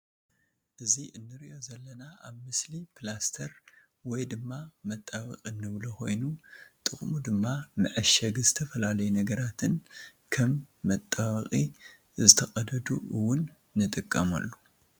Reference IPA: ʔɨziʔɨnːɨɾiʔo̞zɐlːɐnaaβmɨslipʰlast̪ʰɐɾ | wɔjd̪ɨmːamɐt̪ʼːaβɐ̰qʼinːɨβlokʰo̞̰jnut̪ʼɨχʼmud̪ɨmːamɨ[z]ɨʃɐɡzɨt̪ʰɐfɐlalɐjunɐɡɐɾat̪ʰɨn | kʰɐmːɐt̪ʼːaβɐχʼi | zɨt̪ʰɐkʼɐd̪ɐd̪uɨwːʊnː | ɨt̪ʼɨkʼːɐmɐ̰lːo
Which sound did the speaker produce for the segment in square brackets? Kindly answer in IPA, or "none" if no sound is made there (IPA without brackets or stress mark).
ʕ